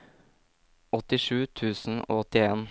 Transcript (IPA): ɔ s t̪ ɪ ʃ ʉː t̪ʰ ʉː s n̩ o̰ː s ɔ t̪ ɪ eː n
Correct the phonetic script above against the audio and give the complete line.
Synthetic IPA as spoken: ɔ t̪ ɪ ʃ ʉː t̪ʰ ʉː s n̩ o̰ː ɔ t̪ ɪ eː n